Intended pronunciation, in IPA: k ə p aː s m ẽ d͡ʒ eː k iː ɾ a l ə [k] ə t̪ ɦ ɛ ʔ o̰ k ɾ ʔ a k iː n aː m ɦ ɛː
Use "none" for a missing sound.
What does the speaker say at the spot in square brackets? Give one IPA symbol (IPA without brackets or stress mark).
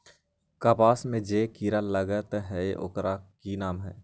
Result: ɡ